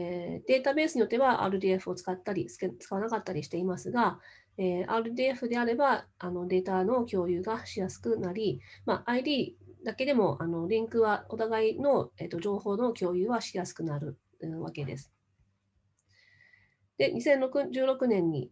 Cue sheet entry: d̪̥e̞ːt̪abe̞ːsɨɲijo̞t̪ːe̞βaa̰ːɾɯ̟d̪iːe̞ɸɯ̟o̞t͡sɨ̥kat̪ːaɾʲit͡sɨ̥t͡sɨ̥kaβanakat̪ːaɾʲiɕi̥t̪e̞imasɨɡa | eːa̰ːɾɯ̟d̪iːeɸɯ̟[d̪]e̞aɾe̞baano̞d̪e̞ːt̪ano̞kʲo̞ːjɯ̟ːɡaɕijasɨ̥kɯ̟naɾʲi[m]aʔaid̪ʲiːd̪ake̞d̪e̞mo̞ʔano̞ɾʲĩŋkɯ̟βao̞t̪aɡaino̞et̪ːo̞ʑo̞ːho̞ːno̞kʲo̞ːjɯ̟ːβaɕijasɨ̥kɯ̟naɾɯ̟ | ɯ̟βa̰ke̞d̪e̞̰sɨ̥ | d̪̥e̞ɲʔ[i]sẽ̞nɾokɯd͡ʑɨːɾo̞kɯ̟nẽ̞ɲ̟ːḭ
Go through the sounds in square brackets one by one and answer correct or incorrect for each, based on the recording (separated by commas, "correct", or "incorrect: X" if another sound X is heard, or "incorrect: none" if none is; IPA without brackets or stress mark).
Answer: correct, correct, correct